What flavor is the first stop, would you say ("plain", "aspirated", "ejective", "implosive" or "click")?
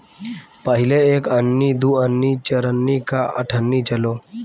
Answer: plain